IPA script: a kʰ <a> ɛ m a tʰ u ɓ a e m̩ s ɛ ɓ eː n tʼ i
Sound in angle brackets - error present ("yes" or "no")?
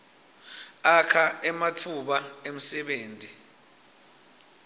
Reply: no